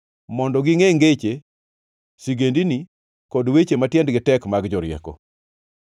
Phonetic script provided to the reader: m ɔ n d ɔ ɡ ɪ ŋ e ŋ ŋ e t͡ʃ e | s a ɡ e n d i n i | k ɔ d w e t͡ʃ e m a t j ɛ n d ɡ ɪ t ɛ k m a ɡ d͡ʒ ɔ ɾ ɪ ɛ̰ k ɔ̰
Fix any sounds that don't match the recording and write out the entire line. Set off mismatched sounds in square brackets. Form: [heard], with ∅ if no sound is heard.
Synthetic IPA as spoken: m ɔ n d ɔ ɡ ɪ ŋ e ŋ [ɡ] e t͡ʃ e | s [i] ɡ e n d i n i | k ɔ d w e t͡ʃ e m a t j ɛ n d ɡ ɪ t ɛ k m a ɡ d͡ʒ ɔ ɾ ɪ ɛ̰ k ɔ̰